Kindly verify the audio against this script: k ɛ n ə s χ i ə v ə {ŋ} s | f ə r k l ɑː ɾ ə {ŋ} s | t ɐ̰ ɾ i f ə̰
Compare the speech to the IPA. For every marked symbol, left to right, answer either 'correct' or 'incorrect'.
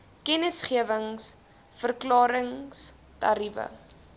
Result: correct, correct

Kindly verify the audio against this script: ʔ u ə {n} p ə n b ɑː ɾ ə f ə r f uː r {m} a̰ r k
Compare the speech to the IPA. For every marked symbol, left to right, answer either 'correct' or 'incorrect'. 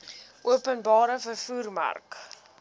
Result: incorrect: none, correct

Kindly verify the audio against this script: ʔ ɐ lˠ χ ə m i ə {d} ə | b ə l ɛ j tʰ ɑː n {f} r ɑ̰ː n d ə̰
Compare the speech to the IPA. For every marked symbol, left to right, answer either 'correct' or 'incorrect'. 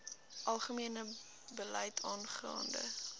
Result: incorrect: n, incorrect: χ

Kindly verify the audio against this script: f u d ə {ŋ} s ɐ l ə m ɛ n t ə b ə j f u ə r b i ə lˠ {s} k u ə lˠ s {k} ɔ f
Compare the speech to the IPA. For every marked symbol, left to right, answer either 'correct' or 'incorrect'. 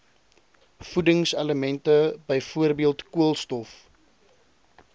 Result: correct, incorrect: t, incorrect: t

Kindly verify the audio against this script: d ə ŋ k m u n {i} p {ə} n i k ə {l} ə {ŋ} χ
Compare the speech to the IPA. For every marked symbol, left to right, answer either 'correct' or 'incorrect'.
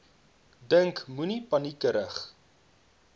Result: correct, incorrect: ɐ, incorrect: ɾ, incorrect: none

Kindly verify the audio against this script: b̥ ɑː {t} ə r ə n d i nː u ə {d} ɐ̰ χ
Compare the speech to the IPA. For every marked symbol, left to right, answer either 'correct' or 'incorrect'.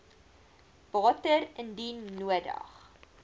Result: correct, correct

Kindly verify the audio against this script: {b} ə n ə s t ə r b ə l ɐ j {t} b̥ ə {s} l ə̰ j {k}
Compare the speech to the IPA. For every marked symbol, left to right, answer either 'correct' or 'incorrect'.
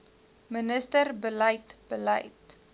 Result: incorrect: m, correct, incorrect: none, incorrect: t

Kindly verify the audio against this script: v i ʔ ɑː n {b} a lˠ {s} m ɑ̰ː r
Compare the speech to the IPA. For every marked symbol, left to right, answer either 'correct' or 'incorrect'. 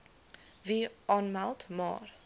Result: incorrect: m, incorrect: t

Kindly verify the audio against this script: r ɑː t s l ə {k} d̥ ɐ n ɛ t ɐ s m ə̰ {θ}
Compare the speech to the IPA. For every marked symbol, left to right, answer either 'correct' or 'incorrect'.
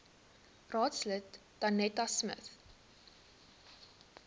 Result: incorrect: t, correct

